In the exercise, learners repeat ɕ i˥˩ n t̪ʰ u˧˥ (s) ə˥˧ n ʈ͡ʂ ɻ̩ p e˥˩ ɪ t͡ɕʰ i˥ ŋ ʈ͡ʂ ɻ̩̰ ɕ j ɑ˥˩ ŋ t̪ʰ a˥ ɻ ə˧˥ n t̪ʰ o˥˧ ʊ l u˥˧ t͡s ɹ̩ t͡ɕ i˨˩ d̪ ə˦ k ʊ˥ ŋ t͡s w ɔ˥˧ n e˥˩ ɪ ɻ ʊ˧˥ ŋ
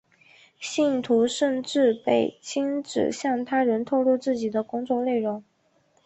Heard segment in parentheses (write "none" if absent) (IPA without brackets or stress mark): ʂ